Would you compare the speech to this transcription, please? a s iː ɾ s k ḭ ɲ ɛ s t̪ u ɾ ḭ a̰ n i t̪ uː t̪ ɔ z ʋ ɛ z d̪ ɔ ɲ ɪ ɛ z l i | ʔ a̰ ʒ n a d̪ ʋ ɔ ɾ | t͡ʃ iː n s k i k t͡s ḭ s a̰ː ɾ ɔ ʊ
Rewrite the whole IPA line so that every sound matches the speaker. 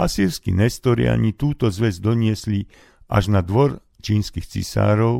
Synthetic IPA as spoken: a s iː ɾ s k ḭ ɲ ɛ s t̪ ɔ ɾ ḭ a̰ ɲ i t̪ uː t̪ ɔ z ʋ ɛ z d̪ ɔ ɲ ɪ ɛ s l i | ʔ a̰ ʒ n a d̪ ʋ ɔ ɾ | t͡ʃ iː n s k i x t͡s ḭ s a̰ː ɾ ɔ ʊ